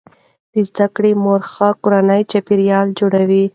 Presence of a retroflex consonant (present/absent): present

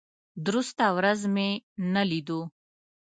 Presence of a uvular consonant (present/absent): absent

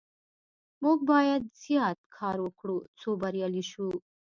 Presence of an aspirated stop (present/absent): present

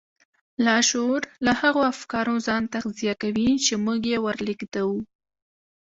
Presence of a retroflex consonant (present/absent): absent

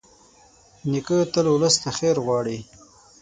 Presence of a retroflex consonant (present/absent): present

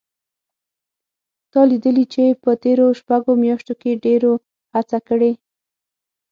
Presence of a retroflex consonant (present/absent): present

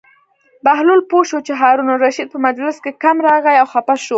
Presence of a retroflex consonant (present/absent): absent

